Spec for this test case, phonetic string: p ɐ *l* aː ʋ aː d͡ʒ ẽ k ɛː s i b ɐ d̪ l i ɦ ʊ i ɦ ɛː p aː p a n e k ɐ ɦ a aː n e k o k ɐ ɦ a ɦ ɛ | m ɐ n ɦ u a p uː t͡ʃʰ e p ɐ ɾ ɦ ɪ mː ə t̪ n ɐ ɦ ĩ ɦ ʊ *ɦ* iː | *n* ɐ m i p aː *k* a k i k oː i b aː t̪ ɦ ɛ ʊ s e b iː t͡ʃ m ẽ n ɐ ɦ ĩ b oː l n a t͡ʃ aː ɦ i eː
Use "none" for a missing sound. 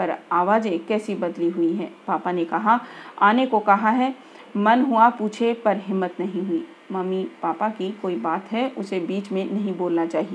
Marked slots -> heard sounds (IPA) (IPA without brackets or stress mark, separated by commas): ɾ, none, m, p